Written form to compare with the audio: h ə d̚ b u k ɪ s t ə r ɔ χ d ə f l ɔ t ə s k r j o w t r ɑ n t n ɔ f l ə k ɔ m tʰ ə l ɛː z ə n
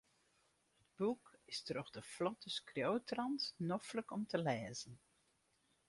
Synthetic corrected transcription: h ə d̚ b u k ɪ s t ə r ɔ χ d ə f l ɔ t ə s k r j o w t r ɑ n t n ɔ f l ə k ɔ m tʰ ə l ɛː z ə n